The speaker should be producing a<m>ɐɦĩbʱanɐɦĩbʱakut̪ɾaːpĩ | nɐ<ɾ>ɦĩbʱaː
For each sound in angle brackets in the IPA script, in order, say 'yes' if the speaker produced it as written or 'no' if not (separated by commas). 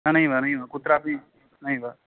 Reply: no, no